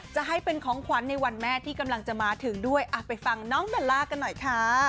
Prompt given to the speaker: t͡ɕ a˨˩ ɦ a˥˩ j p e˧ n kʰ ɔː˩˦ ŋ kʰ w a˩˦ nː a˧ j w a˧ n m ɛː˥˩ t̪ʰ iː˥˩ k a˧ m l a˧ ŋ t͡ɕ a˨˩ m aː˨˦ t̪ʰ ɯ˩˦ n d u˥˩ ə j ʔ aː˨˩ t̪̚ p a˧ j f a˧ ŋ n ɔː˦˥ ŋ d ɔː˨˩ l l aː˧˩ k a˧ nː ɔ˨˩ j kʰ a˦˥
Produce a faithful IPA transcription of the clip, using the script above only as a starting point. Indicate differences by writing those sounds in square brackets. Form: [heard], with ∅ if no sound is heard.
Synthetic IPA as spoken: t͡ɕ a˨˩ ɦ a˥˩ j p e˧ n kʰ ɔː˩˦ ŋ kʰ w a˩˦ nː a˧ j w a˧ n m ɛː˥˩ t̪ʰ iː˥˩ k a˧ m l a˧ ŋ t͡ɕ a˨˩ m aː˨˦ t̪ʰ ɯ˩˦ [ŋ] d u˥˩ ə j ʔ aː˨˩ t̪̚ p a˧ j f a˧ ŋ n ɔː˦˥ ŋ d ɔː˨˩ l l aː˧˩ k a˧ nː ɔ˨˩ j kʰ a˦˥

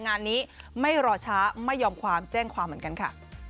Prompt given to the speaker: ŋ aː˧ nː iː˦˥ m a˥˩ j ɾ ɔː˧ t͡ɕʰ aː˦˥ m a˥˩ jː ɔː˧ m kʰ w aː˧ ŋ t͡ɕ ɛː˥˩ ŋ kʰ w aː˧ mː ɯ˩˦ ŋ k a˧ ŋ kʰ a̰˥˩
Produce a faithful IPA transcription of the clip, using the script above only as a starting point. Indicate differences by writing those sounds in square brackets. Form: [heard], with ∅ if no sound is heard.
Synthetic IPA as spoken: ŋ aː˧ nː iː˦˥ m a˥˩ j ɾ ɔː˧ t͡ɕʰ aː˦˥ m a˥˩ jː ɔː˧ m kʰ w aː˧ [m] t͡ɕ ɛː˥˩ ŋ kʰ w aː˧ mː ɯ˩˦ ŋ k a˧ [n] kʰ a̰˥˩

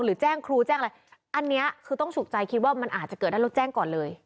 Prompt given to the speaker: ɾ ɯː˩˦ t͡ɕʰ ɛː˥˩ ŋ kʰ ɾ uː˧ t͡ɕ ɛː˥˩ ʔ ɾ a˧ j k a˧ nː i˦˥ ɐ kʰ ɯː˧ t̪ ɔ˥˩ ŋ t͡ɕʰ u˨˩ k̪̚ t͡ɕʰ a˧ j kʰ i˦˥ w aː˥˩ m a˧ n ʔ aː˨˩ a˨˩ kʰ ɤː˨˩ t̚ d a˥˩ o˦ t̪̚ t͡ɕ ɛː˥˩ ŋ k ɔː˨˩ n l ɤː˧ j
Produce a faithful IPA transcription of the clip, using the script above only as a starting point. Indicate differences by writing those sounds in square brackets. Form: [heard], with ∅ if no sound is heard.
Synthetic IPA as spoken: ɾ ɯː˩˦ [t͡ɕ] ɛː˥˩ ŋ kʰ ɾ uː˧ t͡ɕ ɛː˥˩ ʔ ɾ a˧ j [ʔ] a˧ nː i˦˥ ɐ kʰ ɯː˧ t̪ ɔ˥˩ ŋ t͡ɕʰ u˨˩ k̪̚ [t͡ɕ] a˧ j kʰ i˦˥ w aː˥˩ m a˧ n ʔ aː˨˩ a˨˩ [k] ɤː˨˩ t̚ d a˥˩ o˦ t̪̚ t͡ɕ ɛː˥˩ ŋ k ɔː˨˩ n l ɤː˧ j

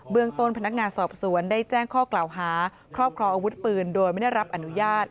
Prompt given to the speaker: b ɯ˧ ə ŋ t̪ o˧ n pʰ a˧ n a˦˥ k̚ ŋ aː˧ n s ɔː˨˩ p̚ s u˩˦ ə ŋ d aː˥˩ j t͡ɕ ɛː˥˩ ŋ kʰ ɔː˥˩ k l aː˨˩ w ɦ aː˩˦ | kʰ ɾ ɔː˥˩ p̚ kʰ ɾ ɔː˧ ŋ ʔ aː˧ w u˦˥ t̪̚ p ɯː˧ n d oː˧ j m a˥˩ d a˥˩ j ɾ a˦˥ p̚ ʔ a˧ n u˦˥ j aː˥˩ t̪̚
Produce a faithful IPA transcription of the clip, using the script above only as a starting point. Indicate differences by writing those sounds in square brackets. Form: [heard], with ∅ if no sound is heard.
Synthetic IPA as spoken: b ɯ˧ ə ŋ t̪ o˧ n pʰ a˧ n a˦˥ k̚ ŋ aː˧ n s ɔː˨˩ p̚ s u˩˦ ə [n] d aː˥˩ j t͡ɕ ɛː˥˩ ŋ kʰ ɔː˥˩ k l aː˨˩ w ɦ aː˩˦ | kʰ ɾ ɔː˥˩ p̚ kʰ ɾ ɔː˧ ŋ ʔ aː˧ w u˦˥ t̪̚ p ɯː˧ n d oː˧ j m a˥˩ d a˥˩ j ɾ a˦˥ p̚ ʔ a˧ n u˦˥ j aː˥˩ t̪̚

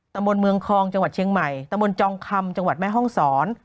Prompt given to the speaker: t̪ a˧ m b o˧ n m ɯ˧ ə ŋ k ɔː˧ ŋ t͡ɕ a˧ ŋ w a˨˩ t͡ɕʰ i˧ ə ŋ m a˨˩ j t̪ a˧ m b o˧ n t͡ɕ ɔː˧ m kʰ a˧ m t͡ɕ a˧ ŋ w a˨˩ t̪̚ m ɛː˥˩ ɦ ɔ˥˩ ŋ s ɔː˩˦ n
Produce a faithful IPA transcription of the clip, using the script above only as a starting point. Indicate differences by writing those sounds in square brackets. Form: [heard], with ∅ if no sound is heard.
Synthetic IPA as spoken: t̪ a˧ m b o˧ n m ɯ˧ ə ŋ [kʰ] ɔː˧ ŋ t͡ɕ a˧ ŋ w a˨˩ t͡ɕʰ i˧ ə ŋ m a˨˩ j t̪ a˧ m b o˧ n t͡ɕ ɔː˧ [ŋ] kʰ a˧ m t͡ɕ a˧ ŋ w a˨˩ t̪̚ m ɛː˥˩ ɦ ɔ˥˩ ŋ s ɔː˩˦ n

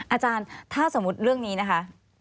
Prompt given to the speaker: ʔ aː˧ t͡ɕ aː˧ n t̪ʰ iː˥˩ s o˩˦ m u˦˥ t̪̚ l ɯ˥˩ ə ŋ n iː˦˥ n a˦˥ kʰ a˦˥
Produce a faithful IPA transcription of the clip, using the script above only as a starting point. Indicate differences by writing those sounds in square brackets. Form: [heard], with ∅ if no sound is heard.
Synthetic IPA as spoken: ʔ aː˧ t͡ɕ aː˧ n t̪ʰ [aː˥˩] s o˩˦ m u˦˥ t̪̚ [ɾ] ɯ˥˩ ə ŋ n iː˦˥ n a˦˥ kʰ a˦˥

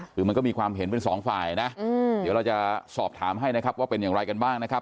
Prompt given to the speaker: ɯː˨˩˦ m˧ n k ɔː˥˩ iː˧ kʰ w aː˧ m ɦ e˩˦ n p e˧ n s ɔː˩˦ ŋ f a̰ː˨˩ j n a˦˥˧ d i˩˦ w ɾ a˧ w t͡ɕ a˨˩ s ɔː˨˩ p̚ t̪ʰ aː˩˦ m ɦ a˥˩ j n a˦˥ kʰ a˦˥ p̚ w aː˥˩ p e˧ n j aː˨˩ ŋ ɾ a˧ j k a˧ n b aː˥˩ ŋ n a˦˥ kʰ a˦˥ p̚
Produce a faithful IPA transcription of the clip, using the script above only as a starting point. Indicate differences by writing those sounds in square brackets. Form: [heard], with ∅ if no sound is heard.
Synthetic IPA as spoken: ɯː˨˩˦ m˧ n k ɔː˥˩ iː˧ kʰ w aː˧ m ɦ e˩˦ n p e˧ n s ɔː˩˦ ŋ f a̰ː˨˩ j n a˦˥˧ d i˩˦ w ɾ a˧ w t͡ɕ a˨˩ s ɔː˨˩ p̚ t̪ʰ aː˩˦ m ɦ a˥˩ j n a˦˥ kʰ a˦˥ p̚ w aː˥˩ p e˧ n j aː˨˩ ŋ ɾ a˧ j k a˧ n b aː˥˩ ŋ n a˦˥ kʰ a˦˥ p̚

